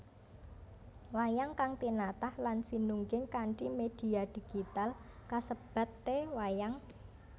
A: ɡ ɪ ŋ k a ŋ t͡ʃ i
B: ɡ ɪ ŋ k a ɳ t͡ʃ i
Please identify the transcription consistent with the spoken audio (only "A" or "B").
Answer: B